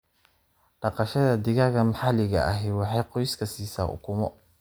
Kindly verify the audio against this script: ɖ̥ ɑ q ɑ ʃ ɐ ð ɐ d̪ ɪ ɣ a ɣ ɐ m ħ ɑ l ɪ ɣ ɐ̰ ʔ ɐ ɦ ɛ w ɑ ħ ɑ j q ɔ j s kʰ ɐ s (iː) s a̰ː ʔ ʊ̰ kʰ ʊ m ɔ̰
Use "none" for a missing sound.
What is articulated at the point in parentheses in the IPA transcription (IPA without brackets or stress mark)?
iː